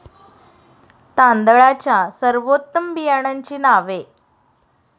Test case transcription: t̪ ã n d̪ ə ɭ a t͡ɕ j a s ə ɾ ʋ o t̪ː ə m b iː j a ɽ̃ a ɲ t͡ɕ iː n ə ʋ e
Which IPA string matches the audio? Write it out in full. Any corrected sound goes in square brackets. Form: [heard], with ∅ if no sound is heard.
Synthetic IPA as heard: t̪ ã n d̪ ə ɭ a t͡ɕ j a s ə ɾ ʋ o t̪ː ə m b [i] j a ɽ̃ a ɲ t͡ɕ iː n [a] ʋ e